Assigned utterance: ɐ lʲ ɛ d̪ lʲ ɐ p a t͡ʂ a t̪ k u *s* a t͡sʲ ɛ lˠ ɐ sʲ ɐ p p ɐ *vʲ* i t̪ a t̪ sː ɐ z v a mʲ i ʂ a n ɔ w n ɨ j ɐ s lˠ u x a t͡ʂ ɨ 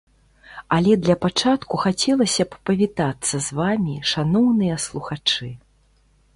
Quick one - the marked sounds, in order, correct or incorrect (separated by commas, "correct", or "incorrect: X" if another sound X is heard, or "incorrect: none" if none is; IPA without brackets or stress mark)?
incorrect: x, correct